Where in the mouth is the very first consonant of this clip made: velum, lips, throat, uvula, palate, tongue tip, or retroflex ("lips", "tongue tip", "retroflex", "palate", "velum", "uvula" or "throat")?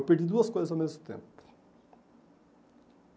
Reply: lips